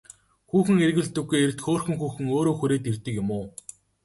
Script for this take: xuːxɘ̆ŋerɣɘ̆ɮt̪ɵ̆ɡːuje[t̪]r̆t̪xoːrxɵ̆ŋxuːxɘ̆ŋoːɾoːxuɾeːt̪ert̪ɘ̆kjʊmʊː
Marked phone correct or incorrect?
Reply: incorrect: none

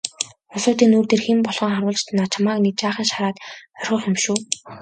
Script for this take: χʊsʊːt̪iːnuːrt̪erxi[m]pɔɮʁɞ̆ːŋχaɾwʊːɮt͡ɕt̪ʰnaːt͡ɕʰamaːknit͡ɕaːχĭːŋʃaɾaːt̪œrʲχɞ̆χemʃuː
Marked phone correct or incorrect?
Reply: correct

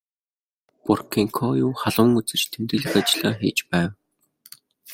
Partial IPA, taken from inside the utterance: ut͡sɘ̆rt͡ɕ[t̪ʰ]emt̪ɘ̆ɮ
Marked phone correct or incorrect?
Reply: correct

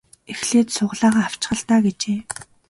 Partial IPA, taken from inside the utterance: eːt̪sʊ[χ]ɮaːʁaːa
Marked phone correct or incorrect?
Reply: incorrect: ʁ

